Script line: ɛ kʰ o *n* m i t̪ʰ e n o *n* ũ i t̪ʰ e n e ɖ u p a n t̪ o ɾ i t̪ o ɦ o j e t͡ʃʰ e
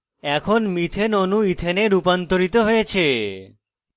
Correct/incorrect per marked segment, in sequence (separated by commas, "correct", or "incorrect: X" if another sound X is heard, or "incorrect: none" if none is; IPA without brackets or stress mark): correct, correct